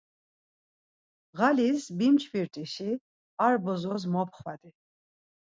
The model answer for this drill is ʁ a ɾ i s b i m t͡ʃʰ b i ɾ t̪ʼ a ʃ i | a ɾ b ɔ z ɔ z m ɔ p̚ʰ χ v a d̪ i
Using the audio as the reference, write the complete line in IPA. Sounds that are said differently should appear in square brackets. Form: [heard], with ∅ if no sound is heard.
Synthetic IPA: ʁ a [l] i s b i m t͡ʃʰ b i ɾ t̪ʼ [i] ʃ i | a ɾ b ɔ z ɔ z m ɔ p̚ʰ χ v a d̪ i